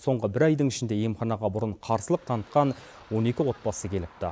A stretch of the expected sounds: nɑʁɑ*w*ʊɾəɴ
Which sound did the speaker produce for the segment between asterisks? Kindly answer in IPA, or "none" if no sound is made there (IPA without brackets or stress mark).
b